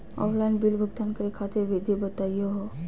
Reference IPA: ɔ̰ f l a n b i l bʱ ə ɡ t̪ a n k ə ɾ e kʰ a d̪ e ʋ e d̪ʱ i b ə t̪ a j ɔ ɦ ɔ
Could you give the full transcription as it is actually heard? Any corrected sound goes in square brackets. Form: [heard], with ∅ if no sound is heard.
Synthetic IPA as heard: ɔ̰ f l a n b i l bʱ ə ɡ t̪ a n k ə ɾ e kʰ a [t̪] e ʋ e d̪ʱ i b ə t̪ a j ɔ ɦ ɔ